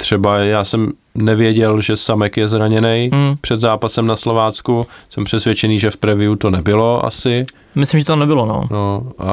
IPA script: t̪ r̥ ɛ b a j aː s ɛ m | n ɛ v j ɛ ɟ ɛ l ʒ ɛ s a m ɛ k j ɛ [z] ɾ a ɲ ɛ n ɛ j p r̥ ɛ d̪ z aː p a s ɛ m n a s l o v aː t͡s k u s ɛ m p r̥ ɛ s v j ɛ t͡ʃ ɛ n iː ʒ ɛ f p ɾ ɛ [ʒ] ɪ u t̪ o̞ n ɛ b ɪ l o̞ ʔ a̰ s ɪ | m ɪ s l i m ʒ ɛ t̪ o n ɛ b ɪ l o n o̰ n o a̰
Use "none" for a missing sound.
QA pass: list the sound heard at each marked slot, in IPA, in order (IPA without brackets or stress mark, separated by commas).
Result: z, v